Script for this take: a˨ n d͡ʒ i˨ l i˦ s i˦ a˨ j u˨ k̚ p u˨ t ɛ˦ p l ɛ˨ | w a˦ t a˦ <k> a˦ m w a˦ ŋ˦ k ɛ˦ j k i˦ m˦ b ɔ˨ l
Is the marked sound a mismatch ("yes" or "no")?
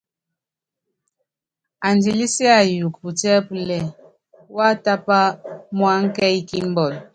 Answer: yes